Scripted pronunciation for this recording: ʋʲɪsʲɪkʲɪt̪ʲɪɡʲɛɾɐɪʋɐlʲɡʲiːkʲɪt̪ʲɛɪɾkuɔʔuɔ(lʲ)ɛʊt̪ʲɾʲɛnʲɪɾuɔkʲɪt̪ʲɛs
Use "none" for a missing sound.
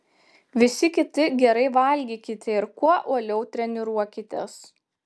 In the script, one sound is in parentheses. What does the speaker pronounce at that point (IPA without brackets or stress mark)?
lʲ